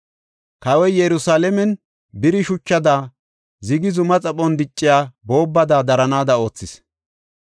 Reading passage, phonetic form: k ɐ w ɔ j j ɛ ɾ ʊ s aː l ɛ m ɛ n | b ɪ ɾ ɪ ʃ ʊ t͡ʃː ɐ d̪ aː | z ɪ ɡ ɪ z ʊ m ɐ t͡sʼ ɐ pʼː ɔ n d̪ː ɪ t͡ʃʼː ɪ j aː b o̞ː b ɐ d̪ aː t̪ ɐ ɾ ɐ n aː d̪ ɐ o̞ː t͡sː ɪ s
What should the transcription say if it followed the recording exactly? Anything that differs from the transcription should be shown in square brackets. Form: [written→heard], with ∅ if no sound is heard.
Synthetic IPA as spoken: k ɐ w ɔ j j ɛ ɾ ʊ s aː l ɛ m ɛ n | b ɪ ɾ ɪ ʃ ʊ t͡ʃː ɐ d̪ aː | z ɪ ɡ ɪ z ʊ m ɐ t͡sʼ ɐ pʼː ɔ n [d̪ː→d̪] ɪ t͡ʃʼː ɪ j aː b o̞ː [b→bː] ɐ d̪ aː [t̪→d̪] ɐ ɾ ɐ n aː d̪ ɐ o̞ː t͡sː ɪ s